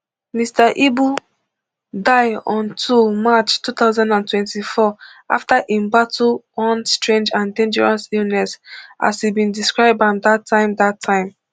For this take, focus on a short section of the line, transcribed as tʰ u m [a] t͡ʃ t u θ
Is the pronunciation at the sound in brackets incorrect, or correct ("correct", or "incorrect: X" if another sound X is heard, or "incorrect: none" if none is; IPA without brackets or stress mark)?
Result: correct